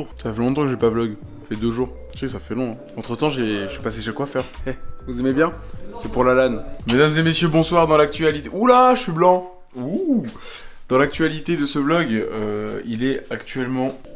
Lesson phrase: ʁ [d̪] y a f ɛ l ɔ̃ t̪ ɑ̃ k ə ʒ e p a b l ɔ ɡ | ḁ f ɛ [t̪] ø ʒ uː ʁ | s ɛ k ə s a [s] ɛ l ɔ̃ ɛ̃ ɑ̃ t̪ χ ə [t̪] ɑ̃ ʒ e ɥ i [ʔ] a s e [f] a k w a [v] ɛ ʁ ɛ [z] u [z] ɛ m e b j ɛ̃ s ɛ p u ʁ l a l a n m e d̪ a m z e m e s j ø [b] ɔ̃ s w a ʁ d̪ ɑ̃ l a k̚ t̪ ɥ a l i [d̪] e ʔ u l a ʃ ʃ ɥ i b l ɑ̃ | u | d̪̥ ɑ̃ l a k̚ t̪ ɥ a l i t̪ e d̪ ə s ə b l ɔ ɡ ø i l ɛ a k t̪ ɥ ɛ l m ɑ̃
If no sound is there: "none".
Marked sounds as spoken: t̪, d̪, f, t̪, p, ʃ, f, v, z, b, t̪

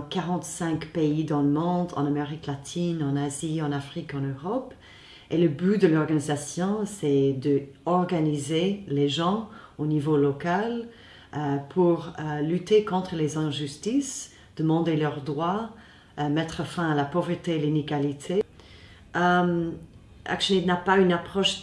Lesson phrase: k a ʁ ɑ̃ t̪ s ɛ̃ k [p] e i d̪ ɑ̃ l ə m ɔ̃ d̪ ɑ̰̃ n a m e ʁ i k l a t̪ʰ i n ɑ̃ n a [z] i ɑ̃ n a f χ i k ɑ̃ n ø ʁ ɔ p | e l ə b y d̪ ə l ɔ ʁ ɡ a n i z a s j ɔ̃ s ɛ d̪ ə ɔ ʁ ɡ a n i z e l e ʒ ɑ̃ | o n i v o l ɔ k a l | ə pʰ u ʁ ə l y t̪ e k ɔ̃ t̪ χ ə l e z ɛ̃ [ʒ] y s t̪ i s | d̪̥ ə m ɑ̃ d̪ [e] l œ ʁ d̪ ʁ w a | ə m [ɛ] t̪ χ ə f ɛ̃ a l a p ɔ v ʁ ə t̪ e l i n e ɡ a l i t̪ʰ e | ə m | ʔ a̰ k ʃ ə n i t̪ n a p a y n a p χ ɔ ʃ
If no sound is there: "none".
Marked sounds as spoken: p, z, ʒ, e, ɛ

